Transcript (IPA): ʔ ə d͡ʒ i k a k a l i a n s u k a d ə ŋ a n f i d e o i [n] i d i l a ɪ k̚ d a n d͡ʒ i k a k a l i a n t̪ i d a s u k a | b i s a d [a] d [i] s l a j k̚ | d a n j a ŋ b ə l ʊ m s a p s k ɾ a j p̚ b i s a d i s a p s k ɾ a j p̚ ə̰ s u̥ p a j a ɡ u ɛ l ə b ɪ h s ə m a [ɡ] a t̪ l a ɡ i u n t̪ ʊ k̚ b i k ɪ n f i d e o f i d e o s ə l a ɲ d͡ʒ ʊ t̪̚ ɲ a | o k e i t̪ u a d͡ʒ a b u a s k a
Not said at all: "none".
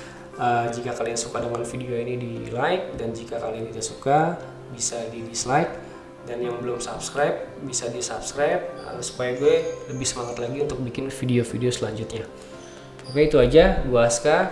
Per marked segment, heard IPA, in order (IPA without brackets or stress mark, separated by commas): n, i, i, ŋ